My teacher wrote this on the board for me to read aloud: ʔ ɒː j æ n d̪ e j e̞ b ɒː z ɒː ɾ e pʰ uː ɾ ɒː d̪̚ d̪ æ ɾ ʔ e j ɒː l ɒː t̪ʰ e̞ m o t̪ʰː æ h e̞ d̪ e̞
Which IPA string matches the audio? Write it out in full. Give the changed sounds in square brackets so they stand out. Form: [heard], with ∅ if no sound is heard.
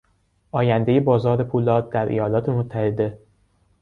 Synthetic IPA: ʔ ɒː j æ n d̪ e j e̞ b ɒː z ɒː ɾ e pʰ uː [l] ɒː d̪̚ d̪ æ ɾ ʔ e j ɒː l ɒː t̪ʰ e̞ m o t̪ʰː æ h e̞ d̪ e̞